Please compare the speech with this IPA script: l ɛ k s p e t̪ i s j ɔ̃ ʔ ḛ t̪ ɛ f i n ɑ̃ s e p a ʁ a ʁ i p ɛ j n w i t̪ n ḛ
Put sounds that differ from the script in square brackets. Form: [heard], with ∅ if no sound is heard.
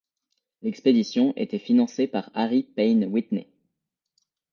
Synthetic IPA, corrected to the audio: l ɛ k s p e [d̪] i s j ɔ̃ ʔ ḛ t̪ ɛ f i n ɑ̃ s e p a ʁ a ʁ i p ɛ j n w i t̪ n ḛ